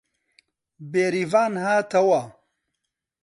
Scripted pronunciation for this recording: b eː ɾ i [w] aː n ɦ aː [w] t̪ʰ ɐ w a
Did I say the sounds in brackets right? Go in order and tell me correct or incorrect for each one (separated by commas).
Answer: incorrect, incorrect